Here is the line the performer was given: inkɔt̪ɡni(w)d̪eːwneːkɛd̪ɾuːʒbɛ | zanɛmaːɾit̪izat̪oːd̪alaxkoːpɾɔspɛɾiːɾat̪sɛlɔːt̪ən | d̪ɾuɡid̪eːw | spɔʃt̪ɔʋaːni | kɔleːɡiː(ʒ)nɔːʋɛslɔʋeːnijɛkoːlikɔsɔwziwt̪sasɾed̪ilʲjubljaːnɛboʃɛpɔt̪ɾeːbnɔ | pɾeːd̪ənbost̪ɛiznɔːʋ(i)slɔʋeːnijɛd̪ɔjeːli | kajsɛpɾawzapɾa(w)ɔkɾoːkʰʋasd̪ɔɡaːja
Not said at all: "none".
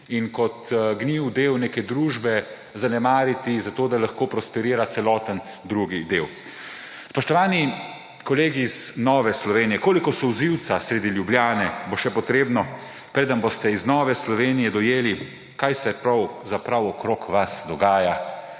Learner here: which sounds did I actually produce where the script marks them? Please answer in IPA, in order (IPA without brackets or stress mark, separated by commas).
w, z, ɛ, w